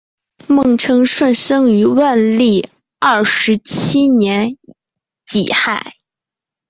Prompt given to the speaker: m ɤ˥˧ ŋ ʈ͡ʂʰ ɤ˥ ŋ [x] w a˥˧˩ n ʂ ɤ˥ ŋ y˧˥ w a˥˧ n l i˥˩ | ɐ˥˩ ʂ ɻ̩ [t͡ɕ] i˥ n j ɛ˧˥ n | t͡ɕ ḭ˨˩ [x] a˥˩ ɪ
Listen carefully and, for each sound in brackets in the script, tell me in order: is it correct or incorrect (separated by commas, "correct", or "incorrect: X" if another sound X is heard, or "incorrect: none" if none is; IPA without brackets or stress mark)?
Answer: incorrect: ʂ, incorrect: t͡ɕʰ, correct